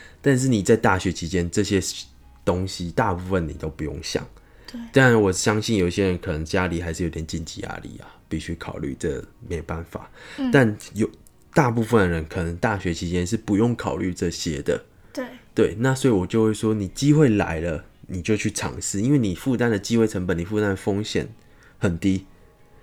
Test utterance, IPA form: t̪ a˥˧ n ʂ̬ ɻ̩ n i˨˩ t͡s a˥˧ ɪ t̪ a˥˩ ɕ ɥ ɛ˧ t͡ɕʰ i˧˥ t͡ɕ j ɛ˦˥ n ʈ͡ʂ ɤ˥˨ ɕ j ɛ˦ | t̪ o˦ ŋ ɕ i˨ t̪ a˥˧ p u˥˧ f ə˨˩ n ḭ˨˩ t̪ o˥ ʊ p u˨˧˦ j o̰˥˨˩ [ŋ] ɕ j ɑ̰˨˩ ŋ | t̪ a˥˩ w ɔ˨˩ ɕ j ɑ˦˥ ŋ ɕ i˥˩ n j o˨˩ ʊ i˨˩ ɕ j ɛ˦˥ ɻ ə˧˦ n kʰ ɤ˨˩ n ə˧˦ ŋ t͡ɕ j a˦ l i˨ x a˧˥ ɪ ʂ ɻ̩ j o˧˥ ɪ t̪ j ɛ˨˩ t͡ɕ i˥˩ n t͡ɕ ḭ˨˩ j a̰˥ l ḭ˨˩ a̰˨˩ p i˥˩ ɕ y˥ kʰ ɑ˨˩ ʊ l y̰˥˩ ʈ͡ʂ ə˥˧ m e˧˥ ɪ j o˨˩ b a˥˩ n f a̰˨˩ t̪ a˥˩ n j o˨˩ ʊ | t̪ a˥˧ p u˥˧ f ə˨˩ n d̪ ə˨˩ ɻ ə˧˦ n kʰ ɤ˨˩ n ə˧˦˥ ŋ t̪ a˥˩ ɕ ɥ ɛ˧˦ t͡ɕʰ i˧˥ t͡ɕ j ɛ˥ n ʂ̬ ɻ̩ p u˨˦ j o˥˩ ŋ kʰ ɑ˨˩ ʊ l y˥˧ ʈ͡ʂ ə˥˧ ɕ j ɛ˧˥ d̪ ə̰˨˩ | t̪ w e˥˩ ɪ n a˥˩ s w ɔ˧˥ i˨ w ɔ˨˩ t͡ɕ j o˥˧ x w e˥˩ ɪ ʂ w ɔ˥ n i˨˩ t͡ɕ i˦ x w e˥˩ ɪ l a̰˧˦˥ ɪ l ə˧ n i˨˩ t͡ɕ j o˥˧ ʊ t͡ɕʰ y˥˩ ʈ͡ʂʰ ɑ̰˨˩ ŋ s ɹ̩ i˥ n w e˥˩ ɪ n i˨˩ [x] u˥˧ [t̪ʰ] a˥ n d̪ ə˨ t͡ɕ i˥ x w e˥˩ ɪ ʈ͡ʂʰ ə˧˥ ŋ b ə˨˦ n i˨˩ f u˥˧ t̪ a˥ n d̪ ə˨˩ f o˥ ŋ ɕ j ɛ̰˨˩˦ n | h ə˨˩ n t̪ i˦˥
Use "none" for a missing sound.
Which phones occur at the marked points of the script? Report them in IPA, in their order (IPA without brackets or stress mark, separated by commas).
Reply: ŋ, f, t̪